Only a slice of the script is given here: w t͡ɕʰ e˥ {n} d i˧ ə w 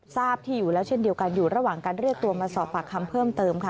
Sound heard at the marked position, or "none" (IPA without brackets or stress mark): n